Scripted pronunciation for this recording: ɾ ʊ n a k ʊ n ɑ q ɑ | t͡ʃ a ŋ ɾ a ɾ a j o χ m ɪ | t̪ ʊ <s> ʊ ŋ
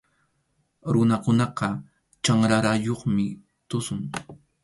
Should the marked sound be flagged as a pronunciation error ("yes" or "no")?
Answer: no